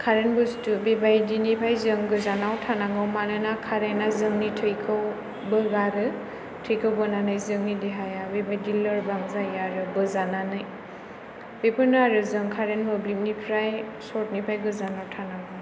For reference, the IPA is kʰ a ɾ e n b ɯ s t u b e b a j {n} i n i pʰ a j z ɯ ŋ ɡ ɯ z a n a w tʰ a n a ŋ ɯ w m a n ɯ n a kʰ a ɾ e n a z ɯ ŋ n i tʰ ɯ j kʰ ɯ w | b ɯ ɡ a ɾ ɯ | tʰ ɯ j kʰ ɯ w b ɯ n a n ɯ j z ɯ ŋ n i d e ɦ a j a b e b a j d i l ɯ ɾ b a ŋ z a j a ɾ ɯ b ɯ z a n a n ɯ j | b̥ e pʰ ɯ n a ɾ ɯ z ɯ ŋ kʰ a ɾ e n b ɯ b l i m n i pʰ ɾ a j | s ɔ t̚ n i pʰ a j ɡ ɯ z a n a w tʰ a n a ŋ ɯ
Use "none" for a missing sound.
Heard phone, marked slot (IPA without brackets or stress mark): d